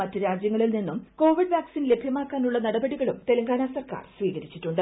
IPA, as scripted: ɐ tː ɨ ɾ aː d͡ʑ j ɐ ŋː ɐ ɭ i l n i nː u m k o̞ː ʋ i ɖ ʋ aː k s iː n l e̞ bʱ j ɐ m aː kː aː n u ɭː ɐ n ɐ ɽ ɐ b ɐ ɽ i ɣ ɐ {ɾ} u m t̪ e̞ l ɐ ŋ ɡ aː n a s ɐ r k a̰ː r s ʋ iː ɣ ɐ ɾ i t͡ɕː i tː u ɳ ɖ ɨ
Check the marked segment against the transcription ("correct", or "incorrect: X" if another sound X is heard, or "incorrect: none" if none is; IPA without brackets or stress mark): incorrect: ɭ